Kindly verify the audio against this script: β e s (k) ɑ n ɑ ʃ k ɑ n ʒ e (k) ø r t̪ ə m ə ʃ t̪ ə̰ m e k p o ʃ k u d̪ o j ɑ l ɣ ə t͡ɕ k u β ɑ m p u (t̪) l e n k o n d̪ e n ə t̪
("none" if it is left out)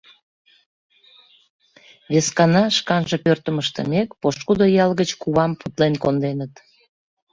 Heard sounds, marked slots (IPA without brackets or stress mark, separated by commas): k, p, t̪